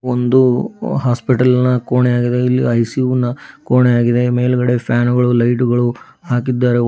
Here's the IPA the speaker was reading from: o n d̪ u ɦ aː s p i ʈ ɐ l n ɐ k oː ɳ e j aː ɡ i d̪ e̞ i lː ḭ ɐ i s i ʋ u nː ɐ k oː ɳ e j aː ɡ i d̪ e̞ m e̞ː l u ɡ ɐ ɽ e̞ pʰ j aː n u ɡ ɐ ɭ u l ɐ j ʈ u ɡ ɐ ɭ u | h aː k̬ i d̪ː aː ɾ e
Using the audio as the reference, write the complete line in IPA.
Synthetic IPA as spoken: o n d̪ u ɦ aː s p i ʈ ɐ l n ɐ k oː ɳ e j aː ɡ i d̪ e̞ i lː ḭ ɐ j s i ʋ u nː ɐ k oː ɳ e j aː ɡ i d̪ e̞ m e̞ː l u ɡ ɐ ɽ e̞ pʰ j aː n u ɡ ɐ ɭ u l ɐ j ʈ u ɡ ɐ ɭ u | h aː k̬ i d̪ː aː ɾ e